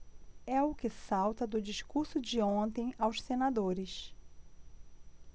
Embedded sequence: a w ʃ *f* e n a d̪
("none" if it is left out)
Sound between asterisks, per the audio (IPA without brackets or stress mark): s